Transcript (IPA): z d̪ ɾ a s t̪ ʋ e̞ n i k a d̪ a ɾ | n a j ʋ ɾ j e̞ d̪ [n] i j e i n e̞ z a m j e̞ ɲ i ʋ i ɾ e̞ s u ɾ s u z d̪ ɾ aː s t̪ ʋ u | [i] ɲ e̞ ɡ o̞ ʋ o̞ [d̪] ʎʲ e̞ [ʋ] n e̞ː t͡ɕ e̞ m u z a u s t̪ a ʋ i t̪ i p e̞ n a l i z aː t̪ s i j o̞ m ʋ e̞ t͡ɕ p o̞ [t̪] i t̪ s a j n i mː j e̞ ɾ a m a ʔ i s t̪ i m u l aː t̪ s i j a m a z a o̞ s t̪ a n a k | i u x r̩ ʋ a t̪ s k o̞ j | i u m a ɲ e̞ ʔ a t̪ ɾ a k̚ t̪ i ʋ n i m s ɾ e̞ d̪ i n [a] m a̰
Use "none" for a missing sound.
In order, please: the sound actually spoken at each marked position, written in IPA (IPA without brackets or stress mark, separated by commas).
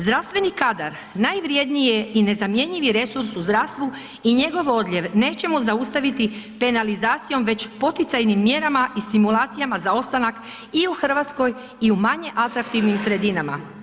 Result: n, i, d̪, ʋ, t̪, a